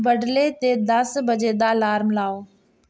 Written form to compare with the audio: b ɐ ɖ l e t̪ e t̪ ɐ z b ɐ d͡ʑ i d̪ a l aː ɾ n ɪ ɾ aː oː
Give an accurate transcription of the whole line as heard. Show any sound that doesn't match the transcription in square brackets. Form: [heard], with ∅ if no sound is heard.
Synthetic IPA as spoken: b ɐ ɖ l e t̪ e [d̪] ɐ [s] b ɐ d͡ʑ [e] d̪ a l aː ɾ [m] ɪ [l] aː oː